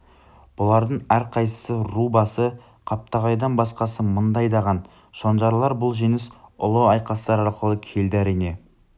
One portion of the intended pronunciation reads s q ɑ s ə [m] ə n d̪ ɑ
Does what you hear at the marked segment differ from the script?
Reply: no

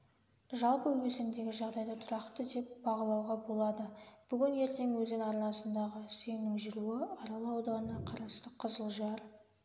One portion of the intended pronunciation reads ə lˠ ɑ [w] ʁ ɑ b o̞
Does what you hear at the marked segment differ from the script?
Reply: no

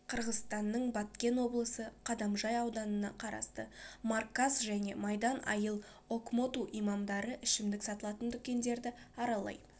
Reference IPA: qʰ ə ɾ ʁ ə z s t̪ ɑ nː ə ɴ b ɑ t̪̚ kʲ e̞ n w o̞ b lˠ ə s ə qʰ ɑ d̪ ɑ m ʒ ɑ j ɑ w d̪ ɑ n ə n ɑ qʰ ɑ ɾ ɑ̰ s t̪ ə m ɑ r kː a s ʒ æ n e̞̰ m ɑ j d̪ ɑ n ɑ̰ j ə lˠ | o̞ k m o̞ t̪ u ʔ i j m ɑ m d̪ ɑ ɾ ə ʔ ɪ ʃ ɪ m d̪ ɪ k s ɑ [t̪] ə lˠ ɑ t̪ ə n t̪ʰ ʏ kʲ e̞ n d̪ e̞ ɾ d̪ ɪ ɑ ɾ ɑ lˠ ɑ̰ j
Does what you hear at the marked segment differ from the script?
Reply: no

